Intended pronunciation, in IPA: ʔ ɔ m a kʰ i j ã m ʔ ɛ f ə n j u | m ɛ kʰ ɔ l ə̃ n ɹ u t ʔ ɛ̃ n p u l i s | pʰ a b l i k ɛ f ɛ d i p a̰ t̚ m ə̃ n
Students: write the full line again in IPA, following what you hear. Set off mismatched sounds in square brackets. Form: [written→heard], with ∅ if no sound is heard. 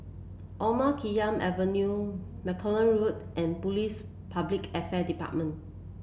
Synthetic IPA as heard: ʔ ɔ m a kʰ i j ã m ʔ ɛ [f→v] ə n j u | m ɛ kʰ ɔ l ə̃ n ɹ u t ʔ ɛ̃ n p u l i s | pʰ a b l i k ɛ f ɛ d i p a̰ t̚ m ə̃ n